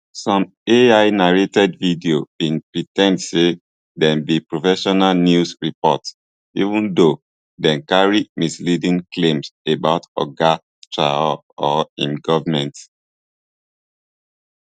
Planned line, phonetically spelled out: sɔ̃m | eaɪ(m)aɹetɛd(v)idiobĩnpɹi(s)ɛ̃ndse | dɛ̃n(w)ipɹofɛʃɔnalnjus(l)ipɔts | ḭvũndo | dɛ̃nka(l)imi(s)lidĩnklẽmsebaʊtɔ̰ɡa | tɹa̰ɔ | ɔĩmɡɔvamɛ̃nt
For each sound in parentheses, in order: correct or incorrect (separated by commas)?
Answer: incorrect, correct, incorrect, incorrect, incorrect, incorrect, correct